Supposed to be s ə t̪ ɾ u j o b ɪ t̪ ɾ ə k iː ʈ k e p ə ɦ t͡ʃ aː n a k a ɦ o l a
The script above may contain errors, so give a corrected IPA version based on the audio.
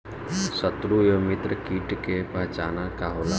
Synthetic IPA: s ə t̪ ɾ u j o m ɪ t̪ ɾ ə k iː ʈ k e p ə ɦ t͡ʃ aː n a k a ɦ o l a